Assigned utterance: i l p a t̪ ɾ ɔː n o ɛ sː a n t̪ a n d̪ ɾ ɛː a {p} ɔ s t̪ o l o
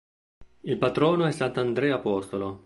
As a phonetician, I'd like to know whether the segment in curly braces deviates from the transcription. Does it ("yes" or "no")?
no